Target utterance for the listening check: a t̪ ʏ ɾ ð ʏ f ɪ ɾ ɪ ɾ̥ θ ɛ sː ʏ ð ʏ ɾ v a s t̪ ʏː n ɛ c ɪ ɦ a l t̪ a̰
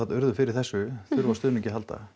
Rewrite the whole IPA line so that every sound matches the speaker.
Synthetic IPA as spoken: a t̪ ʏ ɾ ð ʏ f ɪ ɾ ɪ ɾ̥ θ ɛ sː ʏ θ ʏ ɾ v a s t̪ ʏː n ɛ c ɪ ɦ a l t̪ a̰